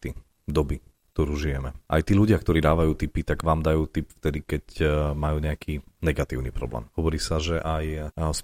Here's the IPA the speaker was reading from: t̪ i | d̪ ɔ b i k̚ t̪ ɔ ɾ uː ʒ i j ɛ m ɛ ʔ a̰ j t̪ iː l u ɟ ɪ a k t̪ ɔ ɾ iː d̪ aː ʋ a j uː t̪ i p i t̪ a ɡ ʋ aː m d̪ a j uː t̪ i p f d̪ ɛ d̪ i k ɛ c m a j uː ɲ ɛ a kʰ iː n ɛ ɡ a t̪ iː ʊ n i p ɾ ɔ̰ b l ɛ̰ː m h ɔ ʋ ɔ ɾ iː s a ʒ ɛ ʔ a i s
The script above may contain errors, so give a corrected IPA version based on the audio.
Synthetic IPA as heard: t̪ i | d̪ ɔ b i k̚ t̪ ɔ ɾ uː ʒ i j ɛ m ɛ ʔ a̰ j t̪ iː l u ɟ ɪ a k t̪ ɔ ɾ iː d̪ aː ʋ a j uː t̪ i p i t̪ a ɡ ʋ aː m d̪ a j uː t̪ i p f t̪ ɛ d̪ i k ɛ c m a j uː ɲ ɛ a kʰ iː n ɛ ɡ a t̪ iː ʊ n i p ɾ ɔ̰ b l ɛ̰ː m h ɔ ʋ ɔ ɾ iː s a ʒ ɛ ʔ a j s